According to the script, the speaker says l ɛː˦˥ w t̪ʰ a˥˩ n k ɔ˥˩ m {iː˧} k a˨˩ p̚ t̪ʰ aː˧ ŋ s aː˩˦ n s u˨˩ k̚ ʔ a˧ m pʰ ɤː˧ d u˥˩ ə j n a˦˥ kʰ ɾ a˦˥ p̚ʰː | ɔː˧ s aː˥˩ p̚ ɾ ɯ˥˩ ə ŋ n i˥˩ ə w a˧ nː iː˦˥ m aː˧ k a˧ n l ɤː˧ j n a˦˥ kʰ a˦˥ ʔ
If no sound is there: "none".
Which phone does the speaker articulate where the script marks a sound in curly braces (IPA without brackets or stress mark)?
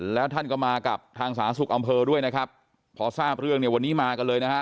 aː˧